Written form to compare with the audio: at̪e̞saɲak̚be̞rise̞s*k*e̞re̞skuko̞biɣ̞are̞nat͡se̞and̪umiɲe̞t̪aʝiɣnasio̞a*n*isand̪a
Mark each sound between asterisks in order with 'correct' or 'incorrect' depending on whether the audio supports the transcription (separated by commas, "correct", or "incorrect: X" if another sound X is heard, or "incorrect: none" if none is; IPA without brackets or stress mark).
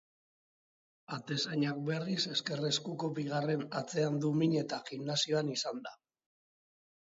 correct, correct